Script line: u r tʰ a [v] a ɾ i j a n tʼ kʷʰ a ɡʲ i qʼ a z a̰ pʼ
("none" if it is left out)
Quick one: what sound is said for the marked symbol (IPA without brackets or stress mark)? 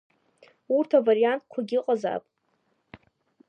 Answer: v